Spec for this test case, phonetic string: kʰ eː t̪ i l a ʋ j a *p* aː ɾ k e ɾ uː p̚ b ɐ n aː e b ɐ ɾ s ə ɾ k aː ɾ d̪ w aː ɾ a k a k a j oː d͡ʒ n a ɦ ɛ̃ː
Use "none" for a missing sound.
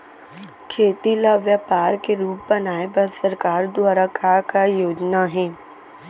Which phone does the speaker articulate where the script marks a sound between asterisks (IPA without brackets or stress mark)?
p